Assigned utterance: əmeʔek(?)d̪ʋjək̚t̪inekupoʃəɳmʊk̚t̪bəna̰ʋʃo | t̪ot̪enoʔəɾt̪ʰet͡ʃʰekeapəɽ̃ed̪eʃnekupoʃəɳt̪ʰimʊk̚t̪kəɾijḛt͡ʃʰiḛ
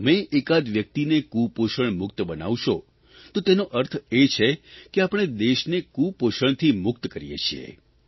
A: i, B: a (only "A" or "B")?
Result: B